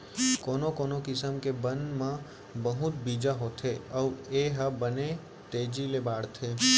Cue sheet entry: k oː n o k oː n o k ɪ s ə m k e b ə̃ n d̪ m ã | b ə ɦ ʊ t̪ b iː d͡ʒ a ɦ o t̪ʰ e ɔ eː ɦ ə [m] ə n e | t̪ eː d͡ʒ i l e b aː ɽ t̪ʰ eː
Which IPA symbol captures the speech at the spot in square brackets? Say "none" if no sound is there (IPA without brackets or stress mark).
b